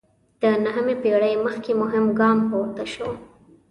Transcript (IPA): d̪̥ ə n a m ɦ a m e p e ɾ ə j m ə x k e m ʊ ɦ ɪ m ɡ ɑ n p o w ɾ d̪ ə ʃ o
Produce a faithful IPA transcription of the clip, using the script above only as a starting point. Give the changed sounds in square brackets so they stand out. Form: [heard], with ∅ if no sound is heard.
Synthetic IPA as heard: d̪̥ ə n a [∅] ɦ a m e p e [ɽ] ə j m ə x k e m ʊ ɦ ɪ m ɡ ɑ [m] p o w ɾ [t̪] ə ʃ o